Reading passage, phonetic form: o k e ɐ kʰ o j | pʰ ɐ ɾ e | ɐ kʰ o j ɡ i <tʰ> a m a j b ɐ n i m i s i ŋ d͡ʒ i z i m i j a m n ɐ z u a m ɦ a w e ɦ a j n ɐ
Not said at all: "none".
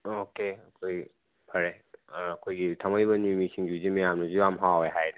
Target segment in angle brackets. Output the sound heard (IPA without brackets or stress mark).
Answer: tʰ